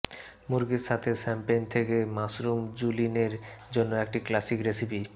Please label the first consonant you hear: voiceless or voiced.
voiced